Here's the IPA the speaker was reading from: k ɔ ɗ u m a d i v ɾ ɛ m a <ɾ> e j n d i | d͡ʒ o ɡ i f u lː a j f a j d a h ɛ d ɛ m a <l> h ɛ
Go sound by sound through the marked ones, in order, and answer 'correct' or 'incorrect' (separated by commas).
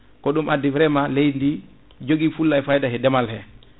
incorrect, correct